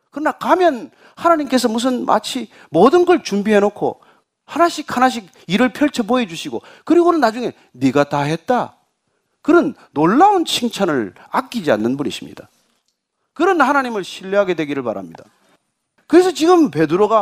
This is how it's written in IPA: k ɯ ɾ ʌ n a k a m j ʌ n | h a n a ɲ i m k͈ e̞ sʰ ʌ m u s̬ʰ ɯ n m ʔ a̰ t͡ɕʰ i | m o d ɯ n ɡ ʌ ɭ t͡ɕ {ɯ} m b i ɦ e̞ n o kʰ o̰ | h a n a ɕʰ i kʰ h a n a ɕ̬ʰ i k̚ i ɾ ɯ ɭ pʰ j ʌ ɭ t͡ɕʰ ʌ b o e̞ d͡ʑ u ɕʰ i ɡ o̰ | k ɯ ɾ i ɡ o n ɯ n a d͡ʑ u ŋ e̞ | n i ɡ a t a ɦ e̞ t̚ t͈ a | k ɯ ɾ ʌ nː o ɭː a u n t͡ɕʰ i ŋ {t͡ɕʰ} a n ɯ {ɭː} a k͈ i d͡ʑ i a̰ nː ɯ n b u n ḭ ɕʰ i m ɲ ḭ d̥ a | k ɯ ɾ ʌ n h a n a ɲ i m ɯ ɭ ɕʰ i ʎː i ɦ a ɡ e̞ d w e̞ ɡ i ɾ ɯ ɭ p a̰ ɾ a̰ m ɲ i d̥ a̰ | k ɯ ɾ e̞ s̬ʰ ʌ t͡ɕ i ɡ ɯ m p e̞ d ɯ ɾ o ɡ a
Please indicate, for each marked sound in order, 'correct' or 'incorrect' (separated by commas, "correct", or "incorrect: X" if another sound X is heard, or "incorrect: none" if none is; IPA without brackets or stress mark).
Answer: incorrect: u, correct, incorrect: ɭ